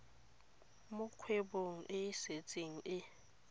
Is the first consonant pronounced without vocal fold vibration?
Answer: no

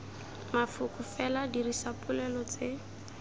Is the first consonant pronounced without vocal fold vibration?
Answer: no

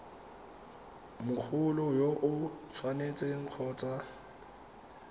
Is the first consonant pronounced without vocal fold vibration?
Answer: no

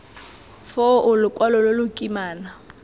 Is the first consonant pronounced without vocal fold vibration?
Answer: yes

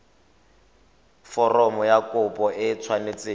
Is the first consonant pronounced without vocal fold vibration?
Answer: yes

